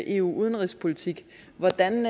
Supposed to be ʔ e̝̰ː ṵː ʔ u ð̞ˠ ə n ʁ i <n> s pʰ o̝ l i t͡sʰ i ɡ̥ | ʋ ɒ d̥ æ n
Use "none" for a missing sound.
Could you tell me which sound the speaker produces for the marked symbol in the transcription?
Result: none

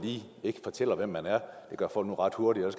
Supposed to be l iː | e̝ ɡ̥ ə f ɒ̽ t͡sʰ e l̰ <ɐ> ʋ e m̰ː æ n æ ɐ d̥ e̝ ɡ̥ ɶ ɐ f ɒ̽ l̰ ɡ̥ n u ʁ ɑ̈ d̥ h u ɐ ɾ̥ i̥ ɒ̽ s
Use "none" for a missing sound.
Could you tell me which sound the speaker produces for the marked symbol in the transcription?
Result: ɐ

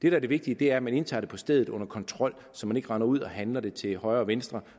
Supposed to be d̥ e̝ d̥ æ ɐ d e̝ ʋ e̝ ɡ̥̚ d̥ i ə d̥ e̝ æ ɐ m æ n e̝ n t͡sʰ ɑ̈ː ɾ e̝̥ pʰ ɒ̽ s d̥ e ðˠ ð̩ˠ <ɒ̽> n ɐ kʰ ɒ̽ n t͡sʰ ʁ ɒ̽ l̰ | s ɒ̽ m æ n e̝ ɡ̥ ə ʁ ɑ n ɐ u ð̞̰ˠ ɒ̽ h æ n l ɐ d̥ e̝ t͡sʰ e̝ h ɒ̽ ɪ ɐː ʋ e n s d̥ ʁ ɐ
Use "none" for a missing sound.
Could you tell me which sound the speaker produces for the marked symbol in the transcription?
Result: ɔ̽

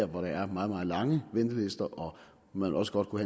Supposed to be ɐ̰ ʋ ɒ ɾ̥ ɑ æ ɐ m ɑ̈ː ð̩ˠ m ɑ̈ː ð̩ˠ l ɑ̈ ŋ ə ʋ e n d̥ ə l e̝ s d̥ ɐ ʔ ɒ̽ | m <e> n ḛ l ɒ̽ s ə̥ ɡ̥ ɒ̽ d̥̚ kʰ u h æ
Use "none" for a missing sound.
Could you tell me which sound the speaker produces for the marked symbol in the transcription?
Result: æ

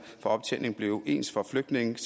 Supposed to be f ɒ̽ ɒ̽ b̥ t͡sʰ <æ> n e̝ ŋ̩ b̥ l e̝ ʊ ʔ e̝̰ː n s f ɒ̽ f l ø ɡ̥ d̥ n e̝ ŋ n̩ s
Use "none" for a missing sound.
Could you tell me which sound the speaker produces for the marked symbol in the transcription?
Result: e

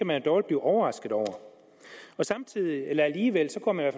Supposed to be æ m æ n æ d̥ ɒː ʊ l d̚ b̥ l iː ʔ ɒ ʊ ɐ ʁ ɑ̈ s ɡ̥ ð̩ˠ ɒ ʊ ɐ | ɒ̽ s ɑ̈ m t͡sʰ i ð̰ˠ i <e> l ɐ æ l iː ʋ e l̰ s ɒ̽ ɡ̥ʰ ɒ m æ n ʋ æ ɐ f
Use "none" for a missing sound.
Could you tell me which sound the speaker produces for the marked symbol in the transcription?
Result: e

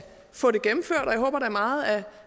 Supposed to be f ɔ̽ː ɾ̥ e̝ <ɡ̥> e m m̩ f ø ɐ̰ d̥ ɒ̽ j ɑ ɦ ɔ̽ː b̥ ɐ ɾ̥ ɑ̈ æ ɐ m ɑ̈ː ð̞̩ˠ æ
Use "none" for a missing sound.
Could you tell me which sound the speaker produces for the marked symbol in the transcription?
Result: ɡ̥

